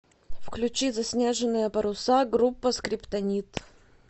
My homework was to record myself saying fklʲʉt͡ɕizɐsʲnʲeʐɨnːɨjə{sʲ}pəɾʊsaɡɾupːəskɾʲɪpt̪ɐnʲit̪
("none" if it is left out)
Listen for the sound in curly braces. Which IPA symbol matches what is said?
none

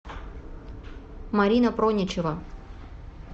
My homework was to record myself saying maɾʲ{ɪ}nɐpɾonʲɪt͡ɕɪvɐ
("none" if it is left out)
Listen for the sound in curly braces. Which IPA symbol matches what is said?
i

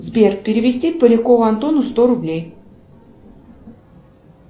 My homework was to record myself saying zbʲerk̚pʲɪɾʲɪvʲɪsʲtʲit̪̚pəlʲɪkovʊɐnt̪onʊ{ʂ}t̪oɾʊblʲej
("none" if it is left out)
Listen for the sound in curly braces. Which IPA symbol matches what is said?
s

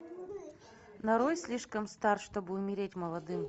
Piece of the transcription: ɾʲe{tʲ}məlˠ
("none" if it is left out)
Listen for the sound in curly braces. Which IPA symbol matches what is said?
tʲ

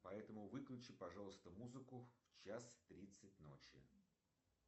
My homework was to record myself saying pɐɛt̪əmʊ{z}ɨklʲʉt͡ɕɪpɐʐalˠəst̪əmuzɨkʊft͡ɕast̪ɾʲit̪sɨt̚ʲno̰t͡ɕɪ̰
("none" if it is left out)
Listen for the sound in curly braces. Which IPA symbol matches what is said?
v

